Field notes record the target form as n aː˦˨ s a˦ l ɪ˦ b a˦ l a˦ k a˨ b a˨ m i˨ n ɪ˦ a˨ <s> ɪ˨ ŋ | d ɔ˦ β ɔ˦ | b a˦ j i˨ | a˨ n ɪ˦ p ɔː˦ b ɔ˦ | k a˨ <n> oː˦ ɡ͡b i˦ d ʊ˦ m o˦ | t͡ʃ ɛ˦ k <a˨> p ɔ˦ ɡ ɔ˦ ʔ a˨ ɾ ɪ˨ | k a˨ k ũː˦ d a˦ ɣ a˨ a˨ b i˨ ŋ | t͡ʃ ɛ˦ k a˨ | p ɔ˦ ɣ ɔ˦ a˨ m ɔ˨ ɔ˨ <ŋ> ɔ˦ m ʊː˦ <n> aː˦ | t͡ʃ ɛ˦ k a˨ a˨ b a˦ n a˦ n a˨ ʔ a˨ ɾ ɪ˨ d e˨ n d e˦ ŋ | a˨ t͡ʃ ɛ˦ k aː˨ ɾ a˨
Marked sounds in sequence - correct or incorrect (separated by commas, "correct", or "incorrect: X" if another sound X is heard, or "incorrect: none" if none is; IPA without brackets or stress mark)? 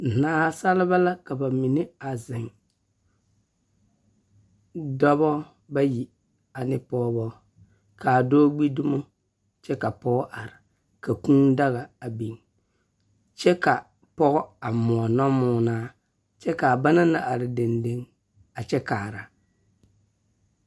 incorrect: z, incorrect: d, correct, incorrect: n, correct